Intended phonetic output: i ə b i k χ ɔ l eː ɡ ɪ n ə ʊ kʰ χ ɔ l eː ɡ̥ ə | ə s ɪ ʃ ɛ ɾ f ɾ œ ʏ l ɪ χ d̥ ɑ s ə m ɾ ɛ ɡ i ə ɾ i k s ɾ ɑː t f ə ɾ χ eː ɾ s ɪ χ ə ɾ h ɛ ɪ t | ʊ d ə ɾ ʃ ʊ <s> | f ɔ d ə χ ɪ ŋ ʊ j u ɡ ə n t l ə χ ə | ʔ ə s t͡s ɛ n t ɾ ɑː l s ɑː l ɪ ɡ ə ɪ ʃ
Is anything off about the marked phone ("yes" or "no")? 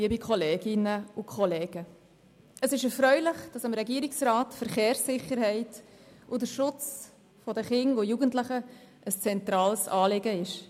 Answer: yes